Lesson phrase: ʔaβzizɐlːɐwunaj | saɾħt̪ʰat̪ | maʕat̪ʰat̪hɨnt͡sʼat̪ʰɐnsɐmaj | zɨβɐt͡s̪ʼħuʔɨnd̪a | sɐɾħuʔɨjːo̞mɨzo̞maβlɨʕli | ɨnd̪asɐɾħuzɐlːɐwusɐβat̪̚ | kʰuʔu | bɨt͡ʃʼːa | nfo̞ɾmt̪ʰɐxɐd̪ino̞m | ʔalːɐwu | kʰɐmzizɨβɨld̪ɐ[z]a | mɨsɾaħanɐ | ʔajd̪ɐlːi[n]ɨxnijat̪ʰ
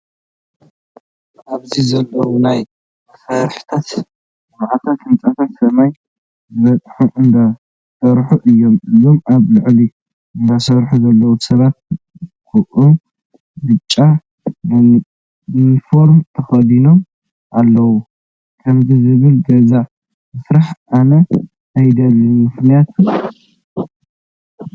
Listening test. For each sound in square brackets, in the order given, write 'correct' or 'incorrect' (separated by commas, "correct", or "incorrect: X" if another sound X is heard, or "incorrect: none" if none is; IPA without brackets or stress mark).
correct, incorrect: m